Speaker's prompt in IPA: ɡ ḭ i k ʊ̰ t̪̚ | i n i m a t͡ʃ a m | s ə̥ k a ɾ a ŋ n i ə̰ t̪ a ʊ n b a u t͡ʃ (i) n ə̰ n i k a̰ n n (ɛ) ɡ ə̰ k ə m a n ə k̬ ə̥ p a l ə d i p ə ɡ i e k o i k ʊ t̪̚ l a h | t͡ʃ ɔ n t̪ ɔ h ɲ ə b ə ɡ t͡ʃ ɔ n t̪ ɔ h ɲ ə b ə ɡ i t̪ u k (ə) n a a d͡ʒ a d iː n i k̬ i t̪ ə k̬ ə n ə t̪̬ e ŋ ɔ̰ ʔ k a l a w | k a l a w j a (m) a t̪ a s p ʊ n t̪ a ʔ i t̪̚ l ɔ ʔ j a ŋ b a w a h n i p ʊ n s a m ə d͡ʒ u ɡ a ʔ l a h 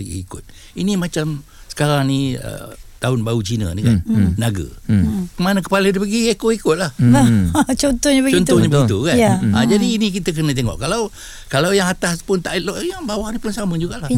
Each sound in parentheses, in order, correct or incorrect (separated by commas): correct, incorrect, incorrect, incorrect